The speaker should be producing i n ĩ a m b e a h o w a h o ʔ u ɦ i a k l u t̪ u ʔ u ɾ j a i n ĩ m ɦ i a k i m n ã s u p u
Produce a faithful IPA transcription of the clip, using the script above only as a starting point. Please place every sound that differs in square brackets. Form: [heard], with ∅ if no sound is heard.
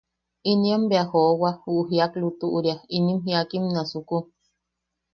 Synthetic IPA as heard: i n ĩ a m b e a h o w a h [u] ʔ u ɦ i a k l u t̪ u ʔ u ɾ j a i n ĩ m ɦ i a k i m n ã s u [k] u